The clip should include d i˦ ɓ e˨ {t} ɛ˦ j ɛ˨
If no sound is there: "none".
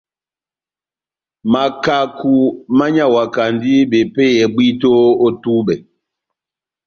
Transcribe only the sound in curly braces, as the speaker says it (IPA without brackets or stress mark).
p